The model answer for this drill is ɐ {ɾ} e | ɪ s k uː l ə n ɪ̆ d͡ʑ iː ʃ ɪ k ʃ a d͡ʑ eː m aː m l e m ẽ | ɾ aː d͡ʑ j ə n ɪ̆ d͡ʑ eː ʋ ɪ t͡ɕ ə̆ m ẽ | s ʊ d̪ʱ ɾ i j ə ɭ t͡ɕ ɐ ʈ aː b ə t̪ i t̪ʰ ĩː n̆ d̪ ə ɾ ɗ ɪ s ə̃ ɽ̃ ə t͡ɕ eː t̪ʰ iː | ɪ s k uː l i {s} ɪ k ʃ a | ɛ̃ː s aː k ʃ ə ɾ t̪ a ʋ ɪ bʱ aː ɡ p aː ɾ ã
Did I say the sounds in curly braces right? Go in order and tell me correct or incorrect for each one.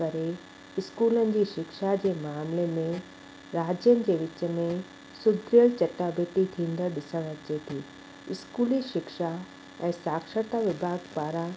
correct, incorrect

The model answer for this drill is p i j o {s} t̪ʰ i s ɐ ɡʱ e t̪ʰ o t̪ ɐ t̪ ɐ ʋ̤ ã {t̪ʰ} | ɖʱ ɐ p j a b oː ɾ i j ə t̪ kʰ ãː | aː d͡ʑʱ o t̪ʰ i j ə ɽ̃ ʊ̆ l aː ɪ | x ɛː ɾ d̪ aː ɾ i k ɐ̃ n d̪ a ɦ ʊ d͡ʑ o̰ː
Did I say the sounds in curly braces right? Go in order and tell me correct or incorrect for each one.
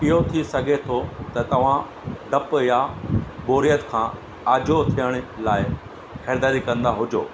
incorrect, incorrect

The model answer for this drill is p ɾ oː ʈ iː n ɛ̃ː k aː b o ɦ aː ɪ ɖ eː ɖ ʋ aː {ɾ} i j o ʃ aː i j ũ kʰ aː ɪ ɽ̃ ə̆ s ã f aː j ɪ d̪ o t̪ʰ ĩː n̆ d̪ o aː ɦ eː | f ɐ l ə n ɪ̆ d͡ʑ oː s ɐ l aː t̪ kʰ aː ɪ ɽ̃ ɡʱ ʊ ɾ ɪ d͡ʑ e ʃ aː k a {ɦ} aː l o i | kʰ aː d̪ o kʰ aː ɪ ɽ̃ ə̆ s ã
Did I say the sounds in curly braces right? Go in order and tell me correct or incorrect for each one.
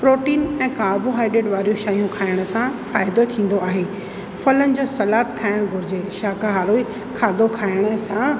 correct, correct

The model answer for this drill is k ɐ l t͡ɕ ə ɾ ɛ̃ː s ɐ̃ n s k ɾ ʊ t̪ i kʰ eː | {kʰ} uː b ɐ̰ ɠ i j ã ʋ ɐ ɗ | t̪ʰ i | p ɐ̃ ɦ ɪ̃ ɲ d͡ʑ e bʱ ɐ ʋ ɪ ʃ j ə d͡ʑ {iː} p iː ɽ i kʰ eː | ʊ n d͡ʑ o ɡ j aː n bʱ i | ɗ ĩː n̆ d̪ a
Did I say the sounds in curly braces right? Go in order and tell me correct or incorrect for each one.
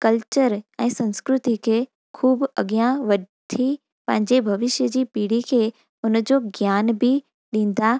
correct, correct

